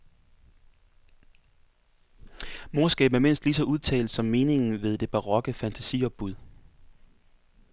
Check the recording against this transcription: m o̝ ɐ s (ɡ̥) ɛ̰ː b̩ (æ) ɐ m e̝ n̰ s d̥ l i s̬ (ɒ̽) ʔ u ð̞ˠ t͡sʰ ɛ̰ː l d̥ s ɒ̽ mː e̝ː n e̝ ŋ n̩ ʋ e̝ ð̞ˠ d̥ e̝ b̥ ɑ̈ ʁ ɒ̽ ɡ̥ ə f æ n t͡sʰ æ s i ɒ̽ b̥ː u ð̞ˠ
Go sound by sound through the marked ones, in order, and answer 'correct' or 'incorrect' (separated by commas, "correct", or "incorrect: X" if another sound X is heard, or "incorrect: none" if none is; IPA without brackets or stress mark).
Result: correct, correct, correct